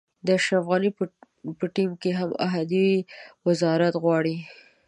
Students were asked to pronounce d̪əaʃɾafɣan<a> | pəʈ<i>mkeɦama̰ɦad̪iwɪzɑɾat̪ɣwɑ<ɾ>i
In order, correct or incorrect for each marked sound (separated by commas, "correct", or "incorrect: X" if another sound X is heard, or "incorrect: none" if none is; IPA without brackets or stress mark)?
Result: incorrect: i, correct, incorrect: ɽ